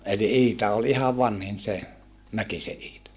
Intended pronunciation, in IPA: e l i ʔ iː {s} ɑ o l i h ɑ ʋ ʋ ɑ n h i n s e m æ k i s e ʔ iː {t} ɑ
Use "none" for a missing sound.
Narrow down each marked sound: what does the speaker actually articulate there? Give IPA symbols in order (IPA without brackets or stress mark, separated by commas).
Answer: t, t